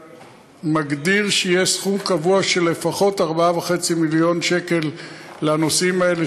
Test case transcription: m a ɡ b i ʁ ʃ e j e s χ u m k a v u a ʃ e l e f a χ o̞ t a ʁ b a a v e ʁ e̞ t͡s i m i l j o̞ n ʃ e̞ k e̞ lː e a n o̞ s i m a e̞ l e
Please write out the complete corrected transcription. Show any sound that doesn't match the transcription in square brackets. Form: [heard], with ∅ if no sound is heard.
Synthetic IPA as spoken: m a ɡ [d] i ʁ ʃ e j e s χ u m k a v u a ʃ e l e f a χ o̞ t a ʁ b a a v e [χ] e̞ t͡s i m i l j o̞ n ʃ e̞ k e̞ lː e a n o̞ s i m a e̞ l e